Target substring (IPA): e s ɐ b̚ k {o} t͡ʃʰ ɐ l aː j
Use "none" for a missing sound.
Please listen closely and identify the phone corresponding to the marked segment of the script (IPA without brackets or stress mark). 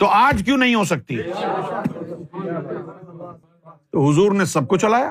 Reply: o